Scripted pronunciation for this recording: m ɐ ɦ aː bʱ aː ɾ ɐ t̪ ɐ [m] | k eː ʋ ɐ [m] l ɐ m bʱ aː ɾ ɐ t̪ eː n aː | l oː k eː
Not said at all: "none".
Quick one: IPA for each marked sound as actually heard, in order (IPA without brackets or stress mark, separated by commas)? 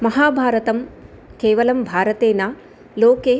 m, none